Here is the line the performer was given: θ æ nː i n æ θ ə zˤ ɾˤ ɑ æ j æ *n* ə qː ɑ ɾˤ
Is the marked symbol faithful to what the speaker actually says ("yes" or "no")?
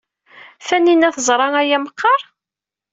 no